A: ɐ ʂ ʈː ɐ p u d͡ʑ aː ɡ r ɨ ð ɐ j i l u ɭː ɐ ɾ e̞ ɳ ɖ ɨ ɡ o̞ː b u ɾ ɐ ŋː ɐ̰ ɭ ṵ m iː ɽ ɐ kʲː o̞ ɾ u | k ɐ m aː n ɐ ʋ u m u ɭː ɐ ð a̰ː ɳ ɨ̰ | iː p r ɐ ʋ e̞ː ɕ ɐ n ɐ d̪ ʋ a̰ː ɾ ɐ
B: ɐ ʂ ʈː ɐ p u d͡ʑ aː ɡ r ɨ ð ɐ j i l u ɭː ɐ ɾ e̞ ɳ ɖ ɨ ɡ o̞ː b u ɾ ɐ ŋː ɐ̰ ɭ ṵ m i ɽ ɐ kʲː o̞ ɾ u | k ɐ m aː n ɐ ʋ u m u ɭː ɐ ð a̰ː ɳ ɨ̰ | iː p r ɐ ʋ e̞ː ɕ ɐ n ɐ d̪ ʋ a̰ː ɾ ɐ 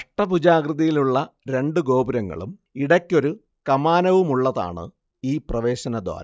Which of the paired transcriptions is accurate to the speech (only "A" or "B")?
B